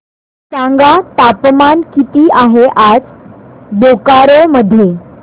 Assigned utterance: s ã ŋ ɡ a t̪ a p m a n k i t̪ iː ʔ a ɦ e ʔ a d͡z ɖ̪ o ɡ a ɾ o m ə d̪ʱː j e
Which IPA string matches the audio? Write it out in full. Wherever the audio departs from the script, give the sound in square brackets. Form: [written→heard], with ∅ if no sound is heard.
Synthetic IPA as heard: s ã ŋ ɡ a t̪ a p m a n k i t̪ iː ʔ a ɦ e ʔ a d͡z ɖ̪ o [ɡ→k] a ɾ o m ə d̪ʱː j e